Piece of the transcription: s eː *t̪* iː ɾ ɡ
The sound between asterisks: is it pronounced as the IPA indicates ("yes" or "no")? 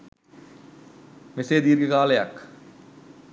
no